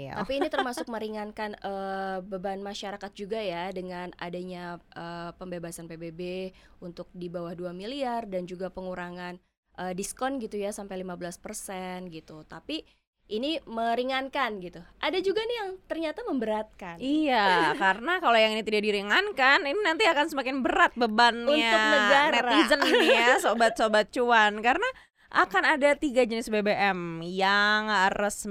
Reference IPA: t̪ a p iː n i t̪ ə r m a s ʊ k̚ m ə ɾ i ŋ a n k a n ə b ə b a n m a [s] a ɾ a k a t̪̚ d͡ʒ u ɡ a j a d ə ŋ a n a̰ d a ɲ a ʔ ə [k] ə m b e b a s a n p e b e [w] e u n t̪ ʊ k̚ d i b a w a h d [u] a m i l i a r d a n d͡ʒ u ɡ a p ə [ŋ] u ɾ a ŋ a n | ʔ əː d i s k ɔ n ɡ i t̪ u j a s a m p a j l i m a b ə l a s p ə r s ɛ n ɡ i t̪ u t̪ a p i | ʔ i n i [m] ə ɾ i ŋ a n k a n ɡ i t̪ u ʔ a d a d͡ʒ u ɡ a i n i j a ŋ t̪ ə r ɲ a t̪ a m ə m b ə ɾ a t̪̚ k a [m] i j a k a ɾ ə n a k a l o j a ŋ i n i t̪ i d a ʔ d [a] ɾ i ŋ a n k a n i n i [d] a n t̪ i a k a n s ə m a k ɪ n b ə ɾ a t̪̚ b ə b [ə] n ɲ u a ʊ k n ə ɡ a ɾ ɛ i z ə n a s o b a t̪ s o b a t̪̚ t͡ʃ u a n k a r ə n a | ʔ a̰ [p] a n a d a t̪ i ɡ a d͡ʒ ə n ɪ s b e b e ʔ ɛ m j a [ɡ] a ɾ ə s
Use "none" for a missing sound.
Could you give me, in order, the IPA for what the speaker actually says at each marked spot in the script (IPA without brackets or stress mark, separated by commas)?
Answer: ʃ, p, b, u, ŋ, m, n, i, n, a, k, ŋ